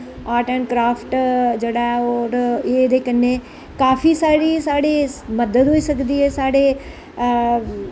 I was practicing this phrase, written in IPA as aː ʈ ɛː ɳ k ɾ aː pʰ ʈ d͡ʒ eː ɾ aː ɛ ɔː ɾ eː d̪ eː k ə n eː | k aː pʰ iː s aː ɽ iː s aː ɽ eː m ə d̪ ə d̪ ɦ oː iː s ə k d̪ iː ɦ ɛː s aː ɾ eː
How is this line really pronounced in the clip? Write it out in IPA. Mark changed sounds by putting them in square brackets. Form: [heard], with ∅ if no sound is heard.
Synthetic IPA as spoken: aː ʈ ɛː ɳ k ɾ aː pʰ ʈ d͡ʒ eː [ɽ] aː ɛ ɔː ɾ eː d̪ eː k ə n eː | k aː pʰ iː s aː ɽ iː s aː ɽ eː m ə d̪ ə d̪ ɦ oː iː s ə k d̪ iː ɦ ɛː s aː [ɽ] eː